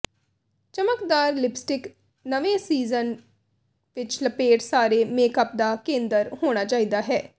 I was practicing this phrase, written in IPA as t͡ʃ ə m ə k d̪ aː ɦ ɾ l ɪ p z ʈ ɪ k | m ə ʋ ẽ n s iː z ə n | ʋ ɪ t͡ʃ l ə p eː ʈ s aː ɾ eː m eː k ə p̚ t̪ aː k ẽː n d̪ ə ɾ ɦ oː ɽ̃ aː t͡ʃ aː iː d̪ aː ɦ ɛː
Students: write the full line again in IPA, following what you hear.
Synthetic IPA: t͡ʃ ə m ə k d̪ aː ɾ l ɪ p s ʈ ɪ k | n ə ʋ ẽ s iː z ə n | ʋ ɪ t͡ʃ l ə p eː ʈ s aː ɾ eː m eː k ə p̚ d̪ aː k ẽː n d̪ ə ɾ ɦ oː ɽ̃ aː t͡ʃ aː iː d̪ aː ɦ ɛː